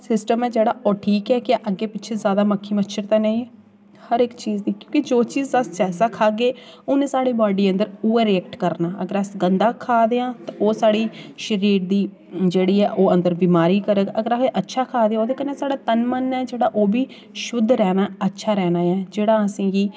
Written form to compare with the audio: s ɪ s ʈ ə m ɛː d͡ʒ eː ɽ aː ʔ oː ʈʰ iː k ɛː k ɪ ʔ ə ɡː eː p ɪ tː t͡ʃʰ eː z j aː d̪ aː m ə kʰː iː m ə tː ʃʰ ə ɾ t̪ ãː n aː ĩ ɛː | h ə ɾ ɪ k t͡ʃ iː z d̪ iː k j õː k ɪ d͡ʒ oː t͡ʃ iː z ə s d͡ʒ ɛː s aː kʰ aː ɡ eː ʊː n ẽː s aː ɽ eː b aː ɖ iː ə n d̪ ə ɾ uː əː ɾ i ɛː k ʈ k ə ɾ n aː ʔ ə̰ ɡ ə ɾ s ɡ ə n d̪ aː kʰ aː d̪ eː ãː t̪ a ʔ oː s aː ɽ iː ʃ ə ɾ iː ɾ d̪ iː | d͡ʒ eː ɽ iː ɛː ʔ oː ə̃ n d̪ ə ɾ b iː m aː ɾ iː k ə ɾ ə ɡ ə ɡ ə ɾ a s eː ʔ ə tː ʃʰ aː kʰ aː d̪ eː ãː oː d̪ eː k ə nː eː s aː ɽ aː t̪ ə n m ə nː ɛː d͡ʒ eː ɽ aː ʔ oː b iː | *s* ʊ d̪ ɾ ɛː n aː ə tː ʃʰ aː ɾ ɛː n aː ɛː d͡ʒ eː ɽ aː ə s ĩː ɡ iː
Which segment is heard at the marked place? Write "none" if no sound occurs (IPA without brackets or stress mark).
ʃ